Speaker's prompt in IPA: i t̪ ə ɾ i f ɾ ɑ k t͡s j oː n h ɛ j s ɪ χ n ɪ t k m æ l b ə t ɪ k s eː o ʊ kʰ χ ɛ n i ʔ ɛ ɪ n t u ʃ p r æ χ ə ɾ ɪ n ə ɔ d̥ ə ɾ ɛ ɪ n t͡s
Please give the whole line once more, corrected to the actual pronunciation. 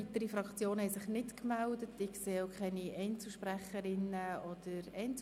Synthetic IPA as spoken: i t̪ ə ɾ i f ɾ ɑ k t͡s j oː n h ɛ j s ɪ χ n ɪ t k m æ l d ə t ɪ k s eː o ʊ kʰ χ ɛ n i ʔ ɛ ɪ n t͡s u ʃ p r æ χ ə ɾ ɪ n ə ɔ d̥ ə ɾ ɛ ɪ n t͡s